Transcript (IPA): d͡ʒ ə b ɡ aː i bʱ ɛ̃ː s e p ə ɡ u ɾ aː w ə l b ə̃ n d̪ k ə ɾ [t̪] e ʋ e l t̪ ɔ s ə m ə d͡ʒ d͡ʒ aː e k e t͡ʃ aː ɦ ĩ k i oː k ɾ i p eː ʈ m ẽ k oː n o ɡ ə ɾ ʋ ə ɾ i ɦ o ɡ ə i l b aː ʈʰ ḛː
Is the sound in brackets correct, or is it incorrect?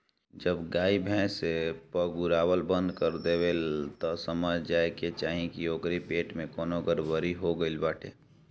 incorrect: d̪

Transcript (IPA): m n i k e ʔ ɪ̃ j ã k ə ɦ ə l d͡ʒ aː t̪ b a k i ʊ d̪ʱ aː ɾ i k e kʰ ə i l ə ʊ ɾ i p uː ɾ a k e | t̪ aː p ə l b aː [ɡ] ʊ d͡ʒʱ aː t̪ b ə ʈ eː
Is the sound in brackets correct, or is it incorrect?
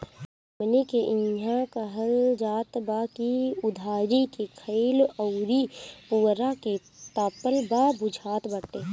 incorrect: b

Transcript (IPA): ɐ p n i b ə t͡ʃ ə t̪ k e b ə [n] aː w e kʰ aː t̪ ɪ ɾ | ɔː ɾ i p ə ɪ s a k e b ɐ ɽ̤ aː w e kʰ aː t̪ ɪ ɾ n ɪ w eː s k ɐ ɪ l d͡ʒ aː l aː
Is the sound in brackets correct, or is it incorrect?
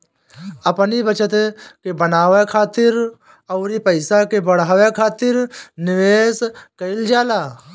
correct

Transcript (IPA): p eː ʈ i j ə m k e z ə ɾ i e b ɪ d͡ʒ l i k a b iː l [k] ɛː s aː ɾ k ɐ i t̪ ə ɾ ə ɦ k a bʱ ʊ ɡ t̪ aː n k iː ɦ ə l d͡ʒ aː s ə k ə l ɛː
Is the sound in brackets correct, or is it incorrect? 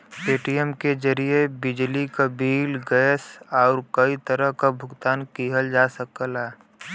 incorrect: ɡ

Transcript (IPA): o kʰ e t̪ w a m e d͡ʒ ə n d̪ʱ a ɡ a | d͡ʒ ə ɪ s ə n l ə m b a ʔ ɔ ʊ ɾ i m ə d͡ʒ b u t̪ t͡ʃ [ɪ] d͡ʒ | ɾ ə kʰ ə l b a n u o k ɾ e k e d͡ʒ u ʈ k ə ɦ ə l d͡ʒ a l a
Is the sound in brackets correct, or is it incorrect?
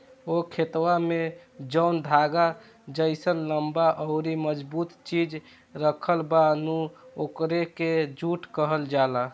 incorrect: i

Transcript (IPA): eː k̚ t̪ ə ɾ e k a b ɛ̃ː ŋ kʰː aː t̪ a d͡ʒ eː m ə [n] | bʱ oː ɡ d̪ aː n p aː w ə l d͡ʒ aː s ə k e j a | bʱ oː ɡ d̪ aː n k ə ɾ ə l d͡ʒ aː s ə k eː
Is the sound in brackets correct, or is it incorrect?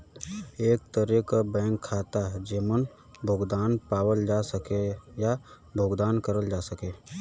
correct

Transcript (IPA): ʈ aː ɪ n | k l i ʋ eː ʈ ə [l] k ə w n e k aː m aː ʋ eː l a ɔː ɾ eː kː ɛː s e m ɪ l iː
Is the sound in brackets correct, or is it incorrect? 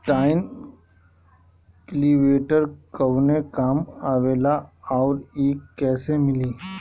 incorrect: ɾ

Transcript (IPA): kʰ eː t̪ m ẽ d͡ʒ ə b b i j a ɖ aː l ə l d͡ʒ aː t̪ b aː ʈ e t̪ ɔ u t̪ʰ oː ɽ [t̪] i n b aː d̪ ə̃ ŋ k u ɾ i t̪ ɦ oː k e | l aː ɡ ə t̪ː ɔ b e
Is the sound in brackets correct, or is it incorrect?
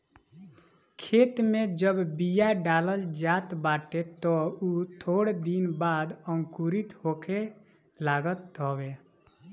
incorrect: d̪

